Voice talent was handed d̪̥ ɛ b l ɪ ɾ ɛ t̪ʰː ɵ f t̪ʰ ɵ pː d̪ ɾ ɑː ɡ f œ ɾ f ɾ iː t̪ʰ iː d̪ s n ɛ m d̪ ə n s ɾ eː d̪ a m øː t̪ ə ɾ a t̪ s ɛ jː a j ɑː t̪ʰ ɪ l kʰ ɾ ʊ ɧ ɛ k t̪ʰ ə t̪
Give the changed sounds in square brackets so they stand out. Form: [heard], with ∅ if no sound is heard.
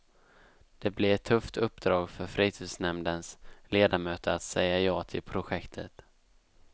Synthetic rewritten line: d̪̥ ɛ b l ɪ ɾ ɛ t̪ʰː ɵ f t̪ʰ ɵ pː d̪ ɾ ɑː ɡ f œ ɾ f ɾ iː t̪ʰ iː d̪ s n ɛ m d̪ ə n s [l] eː d̪ a m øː t̪ ə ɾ a t̪ s ɛ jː a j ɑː t̪ʰ ɪ l [pʰ] ɾ ʊ ɧ ɛ k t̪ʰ ə t̪